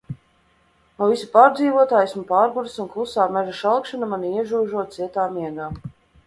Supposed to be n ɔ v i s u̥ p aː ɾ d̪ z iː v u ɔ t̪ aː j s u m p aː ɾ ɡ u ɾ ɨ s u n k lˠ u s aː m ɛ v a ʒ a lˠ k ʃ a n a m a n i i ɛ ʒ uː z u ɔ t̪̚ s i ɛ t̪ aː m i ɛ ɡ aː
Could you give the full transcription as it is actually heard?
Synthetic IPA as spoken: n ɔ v i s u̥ p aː ɾ d̪ z iː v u ɔ t̪ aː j s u m p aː ɾ ɡ u ɾ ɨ s u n k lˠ u s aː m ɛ ʒ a ʃ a lˠ k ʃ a n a m a n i i ɛ ʒ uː ʒ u ɔ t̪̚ s i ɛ t̪ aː m i ɛ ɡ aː